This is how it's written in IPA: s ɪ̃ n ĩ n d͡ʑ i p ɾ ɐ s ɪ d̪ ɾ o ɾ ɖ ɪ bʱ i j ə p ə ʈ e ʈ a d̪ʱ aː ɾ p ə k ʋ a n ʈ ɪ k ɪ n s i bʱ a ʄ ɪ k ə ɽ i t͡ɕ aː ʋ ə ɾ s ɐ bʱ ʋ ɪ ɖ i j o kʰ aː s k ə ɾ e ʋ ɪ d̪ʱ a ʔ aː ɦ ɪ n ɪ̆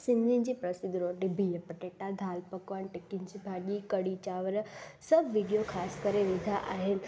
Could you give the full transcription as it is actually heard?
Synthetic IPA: s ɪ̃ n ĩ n d͡ʑ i p ɾ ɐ s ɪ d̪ ɾ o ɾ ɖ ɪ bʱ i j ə p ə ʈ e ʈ a d̪ʱ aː l p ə k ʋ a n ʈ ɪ k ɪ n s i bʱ a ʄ i k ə ɽ i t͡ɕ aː ʋ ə ɾ s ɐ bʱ ʋ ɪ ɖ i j o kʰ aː s k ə ɾ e ʋ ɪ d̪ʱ a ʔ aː ɦ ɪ n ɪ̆